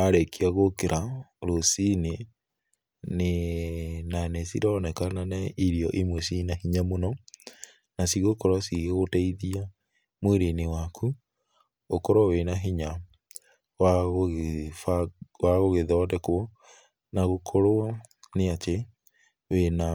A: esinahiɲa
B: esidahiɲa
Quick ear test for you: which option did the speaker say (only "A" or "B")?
A